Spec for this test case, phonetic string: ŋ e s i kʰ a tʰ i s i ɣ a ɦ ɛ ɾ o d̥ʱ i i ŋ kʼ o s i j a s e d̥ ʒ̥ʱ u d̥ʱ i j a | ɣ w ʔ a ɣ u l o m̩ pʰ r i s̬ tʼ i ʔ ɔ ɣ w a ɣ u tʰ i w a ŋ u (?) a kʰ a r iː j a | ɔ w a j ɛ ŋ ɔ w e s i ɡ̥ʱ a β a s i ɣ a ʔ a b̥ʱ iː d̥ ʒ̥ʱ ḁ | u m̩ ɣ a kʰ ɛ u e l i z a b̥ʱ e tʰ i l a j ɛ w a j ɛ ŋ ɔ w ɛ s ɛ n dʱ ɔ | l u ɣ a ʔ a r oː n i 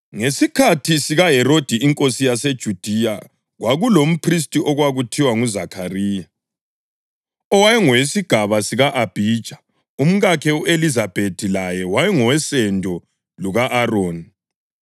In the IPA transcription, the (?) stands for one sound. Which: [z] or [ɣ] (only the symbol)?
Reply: z